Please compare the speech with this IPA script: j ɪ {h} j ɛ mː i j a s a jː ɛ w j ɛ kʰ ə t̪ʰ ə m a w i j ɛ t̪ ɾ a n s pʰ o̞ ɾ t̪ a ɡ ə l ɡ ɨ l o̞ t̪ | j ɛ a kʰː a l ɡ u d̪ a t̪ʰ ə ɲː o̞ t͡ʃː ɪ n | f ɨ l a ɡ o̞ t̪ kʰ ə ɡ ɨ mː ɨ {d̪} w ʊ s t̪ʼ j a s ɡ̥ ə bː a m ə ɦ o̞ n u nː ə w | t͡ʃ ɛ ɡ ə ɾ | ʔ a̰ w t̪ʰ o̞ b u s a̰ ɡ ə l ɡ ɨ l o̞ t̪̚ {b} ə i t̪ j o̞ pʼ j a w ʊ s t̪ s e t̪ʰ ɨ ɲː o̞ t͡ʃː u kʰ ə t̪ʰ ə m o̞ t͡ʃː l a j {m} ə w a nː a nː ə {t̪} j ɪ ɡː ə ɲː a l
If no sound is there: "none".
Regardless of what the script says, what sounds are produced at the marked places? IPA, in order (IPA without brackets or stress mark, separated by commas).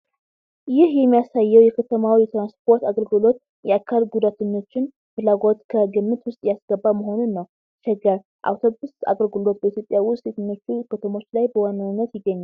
h, t̪, b, b, t̪